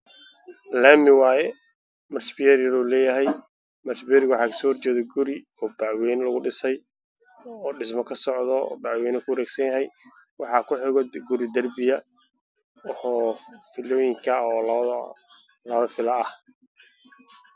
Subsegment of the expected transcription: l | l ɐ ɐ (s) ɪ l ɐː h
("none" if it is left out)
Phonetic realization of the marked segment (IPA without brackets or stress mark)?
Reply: f